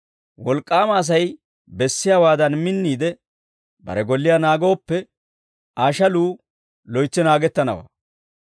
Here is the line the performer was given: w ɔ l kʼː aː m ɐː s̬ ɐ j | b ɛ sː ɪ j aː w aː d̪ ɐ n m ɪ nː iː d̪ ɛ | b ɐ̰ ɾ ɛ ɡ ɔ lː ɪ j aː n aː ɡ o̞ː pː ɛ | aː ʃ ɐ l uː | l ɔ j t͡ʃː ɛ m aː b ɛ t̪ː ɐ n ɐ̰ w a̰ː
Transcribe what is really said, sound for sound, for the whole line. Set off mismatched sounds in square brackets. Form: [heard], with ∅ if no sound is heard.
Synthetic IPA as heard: w ɔ l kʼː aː m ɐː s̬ ɐ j | b ɛ sː ɪ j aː w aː d̪ ɐ n m ɪ nː iː d̪ ɛ | b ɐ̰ ɾ ɛ ɡ ɔ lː ɪ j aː n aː ɡ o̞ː pː ɛ | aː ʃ ɐ l uː | l ɔ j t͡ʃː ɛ [n] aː [ɡ] ɛ t̪ː ɐ n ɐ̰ w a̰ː